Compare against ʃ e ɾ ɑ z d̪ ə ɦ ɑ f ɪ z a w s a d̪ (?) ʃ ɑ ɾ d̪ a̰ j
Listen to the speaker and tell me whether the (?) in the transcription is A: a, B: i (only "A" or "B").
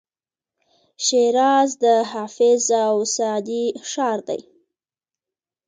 B